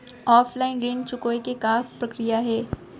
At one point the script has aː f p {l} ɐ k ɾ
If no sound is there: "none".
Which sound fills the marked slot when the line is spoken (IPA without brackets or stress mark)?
ɾ